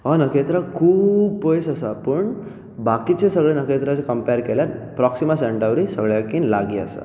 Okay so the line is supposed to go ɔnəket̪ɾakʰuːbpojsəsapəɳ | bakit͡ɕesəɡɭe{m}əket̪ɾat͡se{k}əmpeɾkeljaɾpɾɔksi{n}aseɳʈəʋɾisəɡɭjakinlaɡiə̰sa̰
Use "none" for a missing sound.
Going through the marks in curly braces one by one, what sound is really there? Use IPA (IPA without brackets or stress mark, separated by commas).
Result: n, k, m